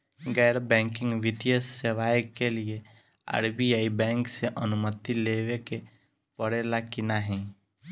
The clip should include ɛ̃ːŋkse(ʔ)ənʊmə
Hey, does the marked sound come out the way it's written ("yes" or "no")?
yes